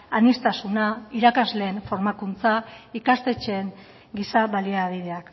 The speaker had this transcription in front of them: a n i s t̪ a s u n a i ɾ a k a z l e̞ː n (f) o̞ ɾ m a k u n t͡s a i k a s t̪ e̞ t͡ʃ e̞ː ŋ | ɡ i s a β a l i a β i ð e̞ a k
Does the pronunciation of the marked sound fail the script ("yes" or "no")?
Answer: no